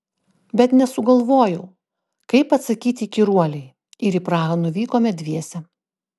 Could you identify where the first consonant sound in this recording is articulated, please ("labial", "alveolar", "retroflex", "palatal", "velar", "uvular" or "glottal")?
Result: labial